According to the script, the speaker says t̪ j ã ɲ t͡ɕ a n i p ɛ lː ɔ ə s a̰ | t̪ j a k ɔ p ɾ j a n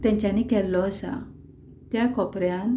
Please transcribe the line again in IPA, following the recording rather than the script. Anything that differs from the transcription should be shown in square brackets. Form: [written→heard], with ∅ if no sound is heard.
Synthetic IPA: t̪ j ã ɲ t͡ɕ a n i [p→k] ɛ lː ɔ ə s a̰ | t̪ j a k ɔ p ɾ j a n